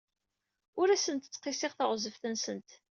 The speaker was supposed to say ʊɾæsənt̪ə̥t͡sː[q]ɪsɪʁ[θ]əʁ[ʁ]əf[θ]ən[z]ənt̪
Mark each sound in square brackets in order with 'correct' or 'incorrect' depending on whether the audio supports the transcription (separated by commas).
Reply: correct, correct, incorrect, correct, incorrect